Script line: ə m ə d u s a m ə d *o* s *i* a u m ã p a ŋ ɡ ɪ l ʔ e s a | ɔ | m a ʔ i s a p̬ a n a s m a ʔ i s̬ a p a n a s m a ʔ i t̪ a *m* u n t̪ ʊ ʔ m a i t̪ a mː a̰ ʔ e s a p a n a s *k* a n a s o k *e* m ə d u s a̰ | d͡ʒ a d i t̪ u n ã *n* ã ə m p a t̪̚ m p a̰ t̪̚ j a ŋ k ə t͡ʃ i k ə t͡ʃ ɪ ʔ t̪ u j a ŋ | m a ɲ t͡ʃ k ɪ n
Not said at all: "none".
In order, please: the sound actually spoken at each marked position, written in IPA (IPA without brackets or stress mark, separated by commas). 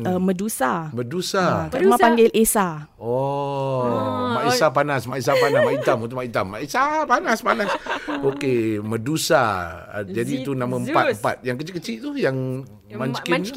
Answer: u, a, m, p, e, m